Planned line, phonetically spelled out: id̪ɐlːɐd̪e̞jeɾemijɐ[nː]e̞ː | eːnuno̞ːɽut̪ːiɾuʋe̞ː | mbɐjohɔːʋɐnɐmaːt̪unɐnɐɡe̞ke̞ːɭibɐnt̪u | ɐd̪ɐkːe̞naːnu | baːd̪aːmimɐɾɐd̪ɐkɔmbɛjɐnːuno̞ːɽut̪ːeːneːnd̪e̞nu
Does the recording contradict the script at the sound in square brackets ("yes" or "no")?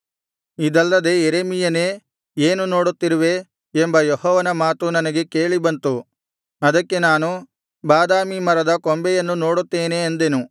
yes